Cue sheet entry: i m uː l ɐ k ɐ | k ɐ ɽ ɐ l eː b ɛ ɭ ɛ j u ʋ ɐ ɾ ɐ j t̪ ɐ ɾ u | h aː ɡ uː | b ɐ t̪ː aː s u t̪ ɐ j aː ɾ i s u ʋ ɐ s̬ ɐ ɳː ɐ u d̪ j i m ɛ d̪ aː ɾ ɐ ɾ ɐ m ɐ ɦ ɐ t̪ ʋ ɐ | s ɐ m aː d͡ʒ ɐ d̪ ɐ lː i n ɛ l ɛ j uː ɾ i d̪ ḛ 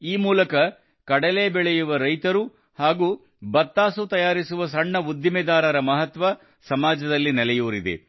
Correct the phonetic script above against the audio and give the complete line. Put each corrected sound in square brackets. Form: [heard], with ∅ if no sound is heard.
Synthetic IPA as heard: [iː] m uː l ɐ k ɐ | k ɐ ɽ ɐ l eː b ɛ ɭ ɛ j u ʋ ɐ ɾ ɐ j t̪ ɐ ɾ u | h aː ɡ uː | b ɐ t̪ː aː s u t̪ ɐ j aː ɾ i s u ʋ ɐ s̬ ɐ ɳː ɐ u d̪ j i m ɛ d̪ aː ɾ ɐ ɾ ɐ m ɐ ɦ ɐ t̪ ʋ ɐ | s ɐ m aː d͡ʒ ɐ d̪ ɐ lː i n ɛ l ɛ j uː ɾ i d̪ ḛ

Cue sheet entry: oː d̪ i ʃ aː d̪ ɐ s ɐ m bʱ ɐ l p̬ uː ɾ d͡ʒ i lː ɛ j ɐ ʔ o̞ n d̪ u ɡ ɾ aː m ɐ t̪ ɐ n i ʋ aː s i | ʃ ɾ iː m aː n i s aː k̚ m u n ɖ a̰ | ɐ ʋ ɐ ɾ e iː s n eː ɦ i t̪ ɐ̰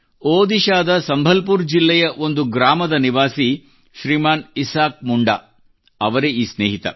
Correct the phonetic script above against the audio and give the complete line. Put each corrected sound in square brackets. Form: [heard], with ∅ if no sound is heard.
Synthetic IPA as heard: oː d̪ i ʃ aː d̪ ɐ s ɐ m bʱ ɐ l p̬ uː ɾ d͡ʒ i lː ɛ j ɐ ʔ o̞ n d̪ u ɡ ɾ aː m ɐ [d̪] ɐ n i ʋ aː s i | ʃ ɾ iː m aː n i s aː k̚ m u [ɳ] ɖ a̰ | ɐ ʋ ɐ ɾ e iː s n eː ɦ i t̪ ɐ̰

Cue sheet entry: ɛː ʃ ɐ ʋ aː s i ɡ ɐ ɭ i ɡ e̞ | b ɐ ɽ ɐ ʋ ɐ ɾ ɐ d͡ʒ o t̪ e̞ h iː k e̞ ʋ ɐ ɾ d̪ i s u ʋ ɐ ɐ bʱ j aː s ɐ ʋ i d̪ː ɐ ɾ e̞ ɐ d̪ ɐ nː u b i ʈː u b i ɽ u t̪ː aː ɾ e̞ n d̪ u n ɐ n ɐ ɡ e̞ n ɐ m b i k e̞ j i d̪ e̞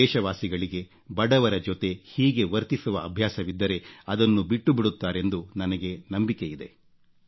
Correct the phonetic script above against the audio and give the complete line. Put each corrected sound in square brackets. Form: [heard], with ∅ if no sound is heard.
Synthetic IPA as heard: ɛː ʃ ɐ ʋ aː s i ɡ ɐ ɭ i ɡ e̞ | b ɐ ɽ ɐ ʋ ɐ ɾ ɐ d͡ʒ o t̪ e̞ h iː [ɡ] e̞ ʋ ɐ ɾ [t̪] i s u ʋ ɐ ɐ bʱ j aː s ɐ ʋ i d̪ː ɐ ɾ e̞ ɐ d̪ ɐ nː u b i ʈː u b i ɽ u t̪ː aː ɾ e̞ n d̪ u n ɐ n ɐ ɡ e̞ n ɐ m b i k e̞ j i d̪ e̞

